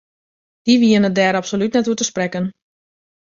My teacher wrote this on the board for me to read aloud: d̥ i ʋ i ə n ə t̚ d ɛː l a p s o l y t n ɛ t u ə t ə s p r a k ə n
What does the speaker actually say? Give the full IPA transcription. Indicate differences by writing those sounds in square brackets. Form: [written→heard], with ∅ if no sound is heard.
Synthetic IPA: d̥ i ʋ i ə n ə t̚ d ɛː [l→ɾ] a p s o l y t n ɛ t u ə t ə s p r [a→ɛ] k ə n